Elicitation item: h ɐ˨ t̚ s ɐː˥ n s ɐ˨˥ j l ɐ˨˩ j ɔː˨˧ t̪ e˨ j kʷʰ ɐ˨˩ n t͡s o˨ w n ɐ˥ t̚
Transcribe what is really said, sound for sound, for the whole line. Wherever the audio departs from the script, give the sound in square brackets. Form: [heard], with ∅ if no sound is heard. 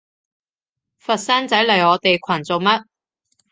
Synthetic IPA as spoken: [f] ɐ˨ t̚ s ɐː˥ n [t͡s] ɐ˨˥ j l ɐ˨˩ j ɔː˨˧ t̪ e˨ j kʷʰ ɐ˨˩ n t͡s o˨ w [m] ɐ˥ t̚